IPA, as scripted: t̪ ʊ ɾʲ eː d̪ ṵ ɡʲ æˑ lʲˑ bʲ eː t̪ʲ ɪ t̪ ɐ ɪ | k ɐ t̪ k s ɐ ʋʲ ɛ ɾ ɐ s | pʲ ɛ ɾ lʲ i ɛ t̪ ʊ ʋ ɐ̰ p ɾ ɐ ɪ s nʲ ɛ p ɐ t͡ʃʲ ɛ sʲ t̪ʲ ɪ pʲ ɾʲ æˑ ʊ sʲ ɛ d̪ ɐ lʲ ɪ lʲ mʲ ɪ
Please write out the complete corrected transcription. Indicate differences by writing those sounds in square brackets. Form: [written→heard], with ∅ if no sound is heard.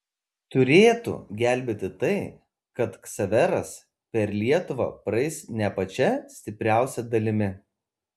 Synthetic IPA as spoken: t̪ ʊ ɾʲ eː [d̪→t̪] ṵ ɡʲ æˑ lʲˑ bʲ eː t̪ʲ ɪ t̪ ɐ ɪ | k ɐ t̪ k s ɐ ʋʲ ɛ ɾ ɐ s | pʲ ɛ ɾ lʲ i ɛ t̪ ʊ ʋ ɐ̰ p ɾ ɐ ɪ s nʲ ɛ p ɐ t͡ʃʲ ɛ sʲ t̪ʲ ɪ pʲ ɾʲ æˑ ʊ sʲ ɛ d̪ ɐ lʲ ɪ [lʲ→∅] mʲ ɪ